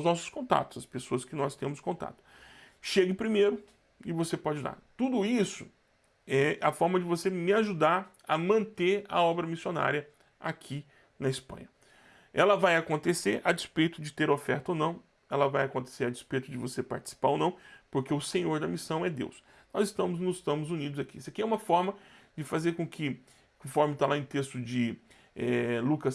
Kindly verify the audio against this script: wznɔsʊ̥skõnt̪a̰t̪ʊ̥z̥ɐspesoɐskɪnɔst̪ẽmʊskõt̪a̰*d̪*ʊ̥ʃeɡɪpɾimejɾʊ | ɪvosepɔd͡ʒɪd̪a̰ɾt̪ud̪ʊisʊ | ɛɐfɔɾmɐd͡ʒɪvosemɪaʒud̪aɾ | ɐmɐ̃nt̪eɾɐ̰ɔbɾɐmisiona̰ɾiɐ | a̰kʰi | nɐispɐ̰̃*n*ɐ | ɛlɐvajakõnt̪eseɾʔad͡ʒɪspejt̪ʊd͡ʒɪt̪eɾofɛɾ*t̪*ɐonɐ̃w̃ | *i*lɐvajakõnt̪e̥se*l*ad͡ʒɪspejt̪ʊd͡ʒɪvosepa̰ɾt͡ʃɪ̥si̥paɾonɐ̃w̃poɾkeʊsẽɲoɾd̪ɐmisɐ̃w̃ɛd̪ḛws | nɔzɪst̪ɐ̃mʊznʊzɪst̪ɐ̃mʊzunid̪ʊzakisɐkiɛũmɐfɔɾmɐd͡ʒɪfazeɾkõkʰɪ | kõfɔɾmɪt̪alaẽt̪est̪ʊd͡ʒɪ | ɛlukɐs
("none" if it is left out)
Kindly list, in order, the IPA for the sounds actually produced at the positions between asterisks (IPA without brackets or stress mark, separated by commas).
t̪, ɲ, t̪, ɛ, ɾ